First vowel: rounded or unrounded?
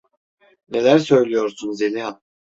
unrounded